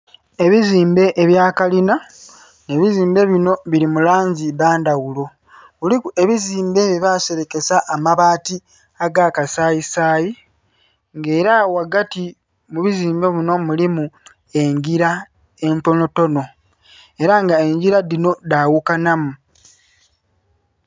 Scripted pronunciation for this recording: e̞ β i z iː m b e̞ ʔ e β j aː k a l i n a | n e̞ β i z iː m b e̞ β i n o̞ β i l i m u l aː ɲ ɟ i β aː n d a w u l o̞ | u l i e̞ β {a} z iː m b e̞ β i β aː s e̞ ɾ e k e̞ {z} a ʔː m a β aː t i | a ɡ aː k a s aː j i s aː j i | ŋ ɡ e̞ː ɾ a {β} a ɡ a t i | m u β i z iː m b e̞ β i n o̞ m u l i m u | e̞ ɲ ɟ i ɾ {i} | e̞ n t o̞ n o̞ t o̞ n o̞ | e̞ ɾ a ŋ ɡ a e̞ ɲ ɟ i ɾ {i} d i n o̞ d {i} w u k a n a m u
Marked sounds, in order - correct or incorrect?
incorrect, incorrect, incorrect, incorrect, incorrect, incorrect

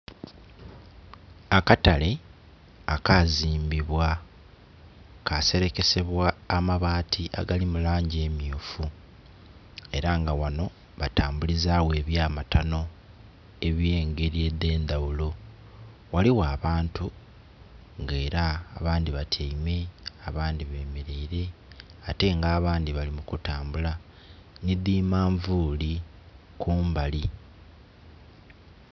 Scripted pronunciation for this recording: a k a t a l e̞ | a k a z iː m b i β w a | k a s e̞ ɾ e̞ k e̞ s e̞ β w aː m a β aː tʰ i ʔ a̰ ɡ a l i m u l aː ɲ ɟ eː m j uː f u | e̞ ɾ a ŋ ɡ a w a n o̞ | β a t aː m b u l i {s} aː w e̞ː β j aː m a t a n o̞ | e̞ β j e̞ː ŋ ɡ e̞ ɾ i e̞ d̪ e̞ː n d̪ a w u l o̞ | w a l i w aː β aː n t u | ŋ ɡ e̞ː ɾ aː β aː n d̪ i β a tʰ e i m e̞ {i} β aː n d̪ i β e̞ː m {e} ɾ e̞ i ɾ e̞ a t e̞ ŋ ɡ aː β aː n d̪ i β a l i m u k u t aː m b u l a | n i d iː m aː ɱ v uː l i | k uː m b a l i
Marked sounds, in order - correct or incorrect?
incorrect, incorrect, correct

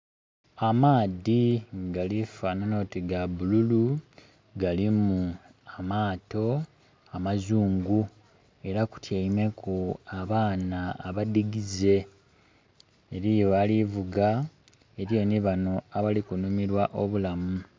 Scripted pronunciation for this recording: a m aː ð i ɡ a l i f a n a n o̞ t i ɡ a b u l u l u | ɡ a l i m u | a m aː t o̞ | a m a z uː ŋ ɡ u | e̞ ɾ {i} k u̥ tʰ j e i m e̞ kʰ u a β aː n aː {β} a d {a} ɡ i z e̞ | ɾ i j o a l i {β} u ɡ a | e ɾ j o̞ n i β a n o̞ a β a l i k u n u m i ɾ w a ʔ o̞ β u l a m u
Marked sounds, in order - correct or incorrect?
incorrect, correct, incorrect, incorrect

